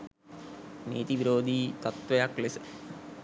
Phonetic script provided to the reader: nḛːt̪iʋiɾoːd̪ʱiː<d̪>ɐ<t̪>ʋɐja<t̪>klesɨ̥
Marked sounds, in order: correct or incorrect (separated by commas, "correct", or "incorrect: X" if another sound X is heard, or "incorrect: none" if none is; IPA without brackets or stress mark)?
incorrect: t̪, correct, incorrect: none